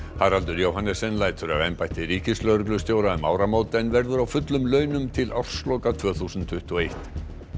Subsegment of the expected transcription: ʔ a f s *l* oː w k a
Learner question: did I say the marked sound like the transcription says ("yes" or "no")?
yes